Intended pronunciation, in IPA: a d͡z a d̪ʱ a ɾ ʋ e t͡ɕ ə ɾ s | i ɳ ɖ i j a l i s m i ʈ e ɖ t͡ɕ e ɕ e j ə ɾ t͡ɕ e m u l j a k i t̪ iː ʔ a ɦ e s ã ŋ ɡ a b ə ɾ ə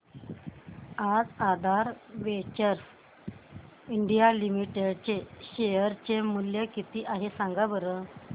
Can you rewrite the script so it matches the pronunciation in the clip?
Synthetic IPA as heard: a d͡z a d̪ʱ a ɾ ʋ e t͡ɕ ə ɾ s | i ɳ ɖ i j a l i m i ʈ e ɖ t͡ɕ e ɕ e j ə ɾ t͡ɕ e m u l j ə k i t̪ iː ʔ a ɦ e s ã ŋ ɡ a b ə ɾ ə